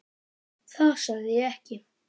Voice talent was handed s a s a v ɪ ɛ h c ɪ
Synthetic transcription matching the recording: θ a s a ð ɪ ɛ h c ɪ